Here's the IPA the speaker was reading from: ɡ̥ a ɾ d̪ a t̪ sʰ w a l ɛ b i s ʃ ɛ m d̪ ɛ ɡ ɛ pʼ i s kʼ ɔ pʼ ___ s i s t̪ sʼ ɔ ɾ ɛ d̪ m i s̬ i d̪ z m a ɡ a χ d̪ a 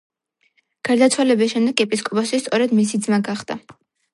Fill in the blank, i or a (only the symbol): a